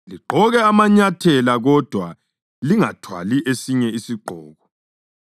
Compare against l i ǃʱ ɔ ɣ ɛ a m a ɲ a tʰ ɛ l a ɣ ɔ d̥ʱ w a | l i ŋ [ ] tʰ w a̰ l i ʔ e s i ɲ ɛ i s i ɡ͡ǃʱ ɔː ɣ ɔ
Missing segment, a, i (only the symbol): a